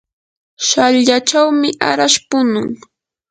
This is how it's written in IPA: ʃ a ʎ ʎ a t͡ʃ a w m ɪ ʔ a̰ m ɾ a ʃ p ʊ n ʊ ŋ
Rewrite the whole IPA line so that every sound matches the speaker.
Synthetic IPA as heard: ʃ a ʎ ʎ a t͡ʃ a w m ɪ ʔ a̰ ɾ a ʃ p ʊ n ʊ ŋ